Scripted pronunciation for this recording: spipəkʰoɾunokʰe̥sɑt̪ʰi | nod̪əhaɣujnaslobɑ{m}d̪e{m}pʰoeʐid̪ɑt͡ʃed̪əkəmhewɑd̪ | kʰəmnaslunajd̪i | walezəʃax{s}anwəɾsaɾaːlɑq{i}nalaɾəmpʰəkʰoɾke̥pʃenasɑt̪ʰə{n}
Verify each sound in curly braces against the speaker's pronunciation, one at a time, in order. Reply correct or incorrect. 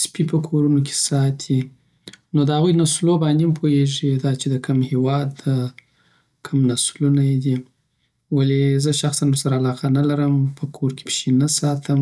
incorrect, correct, correct, incorrect, incorrect

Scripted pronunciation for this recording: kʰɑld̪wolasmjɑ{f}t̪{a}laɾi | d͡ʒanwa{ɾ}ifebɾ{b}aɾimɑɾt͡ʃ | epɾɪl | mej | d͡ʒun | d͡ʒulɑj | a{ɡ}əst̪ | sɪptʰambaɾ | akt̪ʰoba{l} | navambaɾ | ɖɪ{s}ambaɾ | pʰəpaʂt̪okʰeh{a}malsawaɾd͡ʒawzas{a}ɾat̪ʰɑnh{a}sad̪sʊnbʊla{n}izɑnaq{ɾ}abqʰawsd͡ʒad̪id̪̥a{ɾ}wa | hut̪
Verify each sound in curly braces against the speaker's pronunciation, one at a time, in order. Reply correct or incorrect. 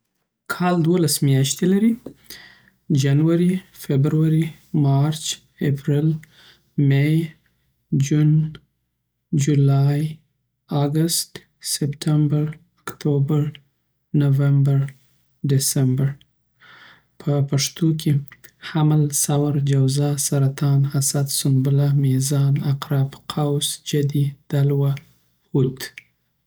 incorrect, incorrect, correct, incorrect, correct, incorrect, correct, correct, correct, correct, incorrect, correct, incorrect

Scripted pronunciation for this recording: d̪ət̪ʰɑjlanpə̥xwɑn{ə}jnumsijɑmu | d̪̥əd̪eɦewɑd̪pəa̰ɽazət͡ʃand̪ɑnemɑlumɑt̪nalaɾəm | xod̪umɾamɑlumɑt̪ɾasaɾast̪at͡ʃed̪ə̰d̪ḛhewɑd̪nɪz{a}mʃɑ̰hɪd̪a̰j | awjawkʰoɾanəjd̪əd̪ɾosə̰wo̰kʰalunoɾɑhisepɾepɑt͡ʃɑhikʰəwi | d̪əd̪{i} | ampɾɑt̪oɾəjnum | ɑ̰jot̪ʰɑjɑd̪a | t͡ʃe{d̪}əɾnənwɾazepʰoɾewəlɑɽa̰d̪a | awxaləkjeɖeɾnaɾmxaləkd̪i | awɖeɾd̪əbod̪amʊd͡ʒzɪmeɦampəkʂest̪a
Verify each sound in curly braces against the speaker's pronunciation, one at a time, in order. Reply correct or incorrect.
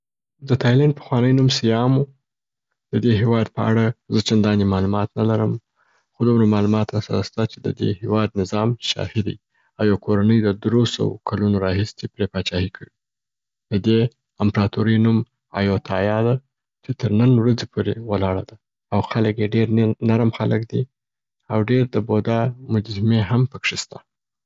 correct, incorrect, incorrect, incorrect

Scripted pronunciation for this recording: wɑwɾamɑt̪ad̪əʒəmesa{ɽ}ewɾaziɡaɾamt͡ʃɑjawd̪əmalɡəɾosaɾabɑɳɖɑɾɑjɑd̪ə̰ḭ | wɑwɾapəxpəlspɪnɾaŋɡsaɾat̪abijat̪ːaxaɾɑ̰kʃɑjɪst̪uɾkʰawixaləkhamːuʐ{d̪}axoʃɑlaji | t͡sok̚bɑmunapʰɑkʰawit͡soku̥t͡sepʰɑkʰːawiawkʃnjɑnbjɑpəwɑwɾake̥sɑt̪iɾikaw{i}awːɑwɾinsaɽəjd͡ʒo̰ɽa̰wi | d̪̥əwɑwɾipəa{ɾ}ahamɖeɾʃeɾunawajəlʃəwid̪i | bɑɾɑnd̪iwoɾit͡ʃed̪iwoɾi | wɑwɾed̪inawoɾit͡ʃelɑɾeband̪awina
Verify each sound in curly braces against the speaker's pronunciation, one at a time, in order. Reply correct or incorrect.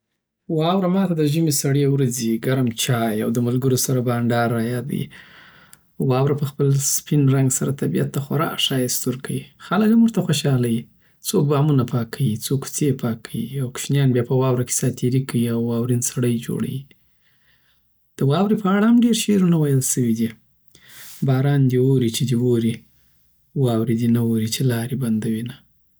correct, incorrect, correct, incorrect

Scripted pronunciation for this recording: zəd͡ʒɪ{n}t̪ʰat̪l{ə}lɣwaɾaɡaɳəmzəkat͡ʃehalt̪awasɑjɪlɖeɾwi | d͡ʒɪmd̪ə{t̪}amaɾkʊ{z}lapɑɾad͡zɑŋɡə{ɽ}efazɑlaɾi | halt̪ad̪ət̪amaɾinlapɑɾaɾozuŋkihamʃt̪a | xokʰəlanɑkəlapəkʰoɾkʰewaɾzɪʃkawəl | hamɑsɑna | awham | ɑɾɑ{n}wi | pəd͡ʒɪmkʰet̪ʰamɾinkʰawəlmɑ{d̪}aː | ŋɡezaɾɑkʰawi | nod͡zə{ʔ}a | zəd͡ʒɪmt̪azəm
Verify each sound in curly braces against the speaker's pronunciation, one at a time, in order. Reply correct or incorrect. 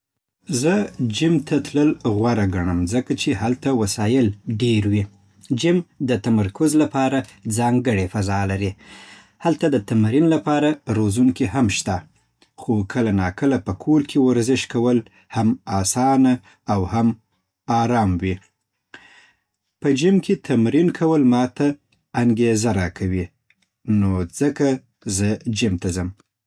incorrect, correct, correct, correct, correct, incorrect, incorrect, incorrect

